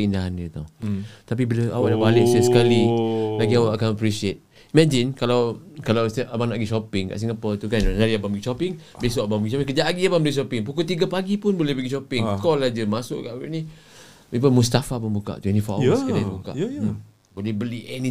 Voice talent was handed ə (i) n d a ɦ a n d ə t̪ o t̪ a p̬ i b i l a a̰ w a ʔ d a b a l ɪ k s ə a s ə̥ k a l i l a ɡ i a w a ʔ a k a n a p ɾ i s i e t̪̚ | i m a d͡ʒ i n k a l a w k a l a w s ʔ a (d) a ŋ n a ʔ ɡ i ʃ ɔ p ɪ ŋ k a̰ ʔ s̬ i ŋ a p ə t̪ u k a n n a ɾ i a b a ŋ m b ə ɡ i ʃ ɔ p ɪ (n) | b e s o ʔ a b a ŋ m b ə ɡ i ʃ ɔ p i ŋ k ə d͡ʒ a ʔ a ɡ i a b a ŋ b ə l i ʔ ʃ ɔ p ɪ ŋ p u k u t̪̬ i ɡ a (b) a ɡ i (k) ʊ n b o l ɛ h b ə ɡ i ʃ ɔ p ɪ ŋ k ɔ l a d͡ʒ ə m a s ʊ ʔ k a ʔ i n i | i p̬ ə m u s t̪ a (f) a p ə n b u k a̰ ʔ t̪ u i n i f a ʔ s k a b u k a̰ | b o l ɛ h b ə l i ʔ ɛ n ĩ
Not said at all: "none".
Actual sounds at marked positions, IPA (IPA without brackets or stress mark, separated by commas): i, b, ŋ, p, p, f